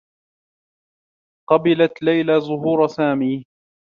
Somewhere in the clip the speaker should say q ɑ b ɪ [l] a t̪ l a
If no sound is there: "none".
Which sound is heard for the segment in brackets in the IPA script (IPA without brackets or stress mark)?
l